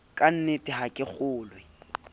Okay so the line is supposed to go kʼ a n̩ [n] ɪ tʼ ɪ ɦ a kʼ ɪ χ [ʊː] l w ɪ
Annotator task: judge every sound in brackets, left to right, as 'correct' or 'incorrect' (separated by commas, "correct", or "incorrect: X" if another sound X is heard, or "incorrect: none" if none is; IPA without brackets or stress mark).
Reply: correct, correct